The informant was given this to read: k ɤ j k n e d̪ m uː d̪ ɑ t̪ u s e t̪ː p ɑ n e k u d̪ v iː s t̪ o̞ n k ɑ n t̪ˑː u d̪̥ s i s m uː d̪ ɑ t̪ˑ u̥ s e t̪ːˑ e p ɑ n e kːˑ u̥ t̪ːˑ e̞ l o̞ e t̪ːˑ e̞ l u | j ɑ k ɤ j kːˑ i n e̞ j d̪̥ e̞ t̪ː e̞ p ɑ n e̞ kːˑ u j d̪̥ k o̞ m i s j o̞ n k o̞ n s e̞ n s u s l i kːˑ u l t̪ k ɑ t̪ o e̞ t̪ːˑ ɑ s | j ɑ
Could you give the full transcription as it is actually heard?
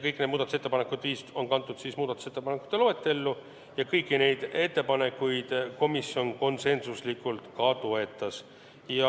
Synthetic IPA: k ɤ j k n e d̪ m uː d̪ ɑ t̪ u s e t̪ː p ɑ n e k u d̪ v iː s t̪ o̞ n k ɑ n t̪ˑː u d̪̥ s i s m uː d̪ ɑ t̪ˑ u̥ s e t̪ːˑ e p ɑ n e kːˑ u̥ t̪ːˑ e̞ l o̞ e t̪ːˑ e̞ lː u | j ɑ k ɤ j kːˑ i n e̞ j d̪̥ e̞ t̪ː e̞ p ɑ n e̞ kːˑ u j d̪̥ k o̞ m i s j o̞ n k o̞ n s e̞ n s u s l i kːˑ u l t̪ k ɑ t̪ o e̞ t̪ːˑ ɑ s | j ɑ